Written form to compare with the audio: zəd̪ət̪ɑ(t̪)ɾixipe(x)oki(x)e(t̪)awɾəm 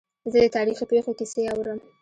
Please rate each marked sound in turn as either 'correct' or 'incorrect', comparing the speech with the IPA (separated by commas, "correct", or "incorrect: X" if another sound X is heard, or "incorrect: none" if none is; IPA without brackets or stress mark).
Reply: incorrect: none, correct, incorrect: s, incorrect: none